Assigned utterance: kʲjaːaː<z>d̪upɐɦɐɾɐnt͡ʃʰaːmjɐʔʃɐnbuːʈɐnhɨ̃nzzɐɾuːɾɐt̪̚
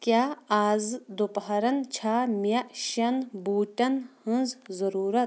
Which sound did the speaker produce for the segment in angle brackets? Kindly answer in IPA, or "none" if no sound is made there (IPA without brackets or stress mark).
z